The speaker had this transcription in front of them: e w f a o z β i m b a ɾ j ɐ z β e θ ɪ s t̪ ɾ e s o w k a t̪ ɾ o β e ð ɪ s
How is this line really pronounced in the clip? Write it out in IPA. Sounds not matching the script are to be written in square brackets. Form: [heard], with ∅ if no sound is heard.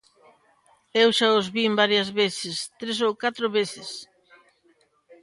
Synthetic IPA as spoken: e w [ʃ] a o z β i m b a ɾ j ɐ z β e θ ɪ s t̪ ɾ e s o w k a t̪ ɾ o β e [θ] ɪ s